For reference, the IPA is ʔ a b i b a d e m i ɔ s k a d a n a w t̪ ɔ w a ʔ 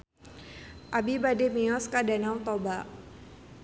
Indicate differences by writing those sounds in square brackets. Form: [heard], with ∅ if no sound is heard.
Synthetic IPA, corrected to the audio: ʔ a b i b a d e m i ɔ s k a d a n a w t̪ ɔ [b] a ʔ